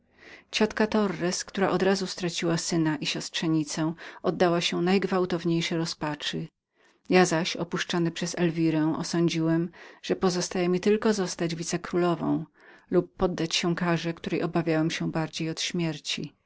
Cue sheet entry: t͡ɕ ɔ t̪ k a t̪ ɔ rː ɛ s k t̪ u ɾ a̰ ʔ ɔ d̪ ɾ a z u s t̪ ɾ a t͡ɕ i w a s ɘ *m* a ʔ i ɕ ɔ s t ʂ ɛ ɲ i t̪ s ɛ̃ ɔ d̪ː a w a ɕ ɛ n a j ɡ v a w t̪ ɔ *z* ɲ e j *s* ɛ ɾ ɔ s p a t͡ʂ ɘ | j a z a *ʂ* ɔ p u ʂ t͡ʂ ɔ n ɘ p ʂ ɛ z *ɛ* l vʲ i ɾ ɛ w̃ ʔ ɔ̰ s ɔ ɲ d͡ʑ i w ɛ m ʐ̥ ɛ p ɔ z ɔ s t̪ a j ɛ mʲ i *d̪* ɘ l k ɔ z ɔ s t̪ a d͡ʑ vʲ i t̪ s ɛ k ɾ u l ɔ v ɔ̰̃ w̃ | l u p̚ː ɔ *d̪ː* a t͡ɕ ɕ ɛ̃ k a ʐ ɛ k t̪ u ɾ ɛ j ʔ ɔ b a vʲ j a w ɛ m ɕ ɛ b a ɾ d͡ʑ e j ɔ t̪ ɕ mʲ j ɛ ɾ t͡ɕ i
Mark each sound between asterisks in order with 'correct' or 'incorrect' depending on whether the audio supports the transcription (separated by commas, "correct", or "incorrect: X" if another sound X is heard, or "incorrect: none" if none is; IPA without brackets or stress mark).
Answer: incorrect: n, incorrect: v, incorrect: ʂ, incorrect: ɕ, correct, incorrect: t̪, correct